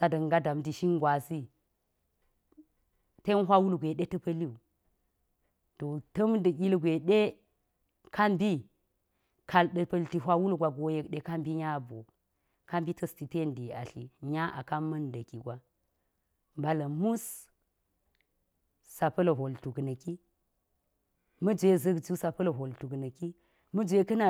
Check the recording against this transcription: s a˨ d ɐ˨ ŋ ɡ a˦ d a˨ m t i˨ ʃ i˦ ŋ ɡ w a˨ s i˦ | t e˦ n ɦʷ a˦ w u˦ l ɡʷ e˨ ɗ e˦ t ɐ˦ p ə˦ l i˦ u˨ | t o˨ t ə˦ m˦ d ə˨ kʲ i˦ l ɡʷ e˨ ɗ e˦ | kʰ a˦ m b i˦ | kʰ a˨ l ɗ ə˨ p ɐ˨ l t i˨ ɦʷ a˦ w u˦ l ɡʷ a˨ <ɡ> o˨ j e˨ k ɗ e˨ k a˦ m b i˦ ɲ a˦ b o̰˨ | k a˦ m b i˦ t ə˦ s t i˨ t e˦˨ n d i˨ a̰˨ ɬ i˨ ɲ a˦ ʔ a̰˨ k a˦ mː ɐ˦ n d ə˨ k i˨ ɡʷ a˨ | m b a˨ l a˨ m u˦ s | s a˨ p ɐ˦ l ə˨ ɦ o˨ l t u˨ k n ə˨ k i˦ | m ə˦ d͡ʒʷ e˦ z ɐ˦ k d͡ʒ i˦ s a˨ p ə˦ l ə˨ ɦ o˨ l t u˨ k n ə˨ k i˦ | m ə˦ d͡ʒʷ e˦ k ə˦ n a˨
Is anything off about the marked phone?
no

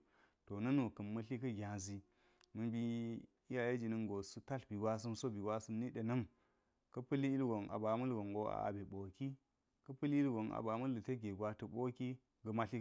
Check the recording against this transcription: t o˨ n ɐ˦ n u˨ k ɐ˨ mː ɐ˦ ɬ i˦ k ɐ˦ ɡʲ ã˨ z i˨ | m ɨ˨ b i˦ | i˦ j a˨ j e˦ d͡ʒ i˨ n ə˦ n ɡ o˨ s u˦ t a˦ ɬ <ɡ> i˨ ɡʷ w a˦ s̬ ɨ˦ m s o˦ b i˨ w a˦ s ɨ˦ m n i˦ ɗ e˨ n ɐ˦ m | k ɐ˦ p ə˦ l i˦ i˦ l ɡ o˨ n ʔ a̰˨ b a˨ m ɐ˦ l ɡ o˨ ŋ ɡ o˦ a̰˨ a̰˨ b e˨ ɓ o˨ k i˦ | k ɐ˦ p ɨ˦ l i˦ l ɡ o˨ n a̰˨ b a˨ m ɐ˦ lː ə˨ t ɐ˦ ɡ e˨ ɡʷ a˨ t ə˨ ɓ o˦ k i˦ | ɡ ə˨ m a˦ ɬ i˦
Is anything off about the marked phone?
yes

